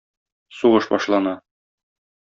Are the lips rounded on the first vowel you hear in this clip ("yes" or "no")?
yes